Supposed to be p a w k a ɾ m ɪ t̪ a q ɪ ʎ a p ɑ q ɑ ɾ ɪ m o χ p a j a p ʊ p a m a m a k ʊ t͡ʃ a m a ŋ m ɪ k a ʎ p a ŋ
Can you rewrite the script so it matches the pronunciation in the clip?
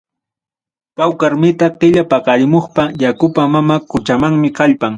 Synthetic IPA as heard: p a w k a ɾ m ɪ t̪ a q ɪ ʎ a p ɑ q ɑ ɾ ɪ m o χ p a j a k ʊ p a m a m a k ʊ t͡ʃ a m a ŋ m ɪ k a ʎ p a ŋ